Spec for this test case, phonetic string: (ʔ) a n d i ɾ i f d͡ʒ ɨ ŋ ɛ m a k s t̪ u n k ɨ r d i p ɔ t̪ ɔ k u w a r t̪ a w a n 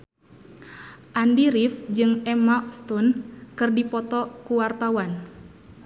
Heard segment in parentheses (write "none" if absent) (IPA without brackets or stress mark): ʔ